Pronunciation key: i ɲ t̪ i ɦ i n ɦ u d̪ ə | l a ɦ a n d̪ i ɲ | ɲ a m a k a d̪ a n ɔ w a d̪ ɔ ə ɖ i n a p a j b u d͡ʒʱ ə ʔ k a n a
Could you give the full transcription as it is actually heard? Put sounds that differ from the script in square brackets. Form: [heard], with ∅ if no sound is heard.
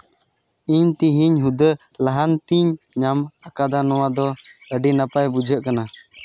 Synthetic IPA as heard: i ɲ t̪ i ɦ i [ɲ] ɦ u d̪ ə | l a ɦ a n [t̪] i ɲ | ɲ a m a k a d̪ a n ɔ w a d̪ ɔ ə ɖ i n a p a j b u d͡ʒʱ ə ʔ k a n a